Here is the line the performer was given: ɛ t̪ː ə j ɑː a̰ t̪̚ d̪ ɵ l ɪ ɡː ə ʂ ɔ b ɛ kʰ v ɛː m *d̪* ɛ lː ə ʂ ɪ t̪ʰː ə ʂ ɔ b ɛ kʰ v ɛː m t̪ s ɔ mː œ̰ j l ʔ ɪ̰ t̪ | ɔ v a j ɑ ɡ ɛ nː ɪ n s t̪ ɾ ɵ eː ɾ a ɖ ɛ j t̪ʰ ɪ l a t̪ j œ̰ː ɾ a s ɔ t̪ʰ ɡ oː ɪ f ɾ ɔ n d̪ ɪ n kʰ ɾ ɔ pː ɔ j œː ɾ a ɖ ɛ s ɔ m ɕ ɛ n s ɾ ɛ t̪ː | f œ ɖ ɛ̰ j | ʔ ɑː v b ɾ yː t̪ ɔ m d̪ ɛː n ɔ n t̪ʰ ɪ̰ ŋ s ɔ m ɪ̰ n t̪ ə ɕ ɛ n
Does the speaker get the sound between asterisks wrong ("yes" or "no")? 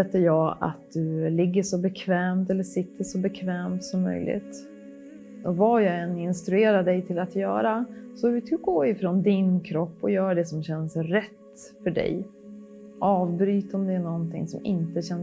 yes